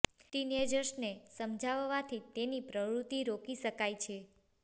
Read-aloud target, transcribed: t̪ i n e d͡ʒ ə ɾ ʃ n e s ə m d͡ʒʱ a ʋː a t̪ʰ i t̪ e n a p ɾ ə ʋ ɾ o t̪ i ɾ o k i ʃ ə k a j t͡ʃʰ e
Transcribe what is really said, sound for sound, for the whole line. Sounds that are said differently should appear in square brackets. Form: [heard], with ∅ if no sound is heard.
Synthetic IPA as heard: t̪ i n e d͡ʒ ə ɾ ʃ n e s ə m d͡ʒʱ a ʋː a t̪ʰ i t̪ e n [i] p ɾ ə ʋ ɾ [u] t̪ i ɾ o k i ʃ ə k a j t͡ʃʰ e